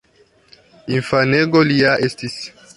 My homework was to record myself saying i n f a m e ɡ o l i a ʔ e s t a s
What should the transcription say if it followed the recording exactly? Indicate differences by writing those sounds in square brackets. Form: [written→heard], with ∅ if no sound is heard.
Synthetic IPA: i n f a [m→n] e ɡ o l i a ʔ e s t [a→i] s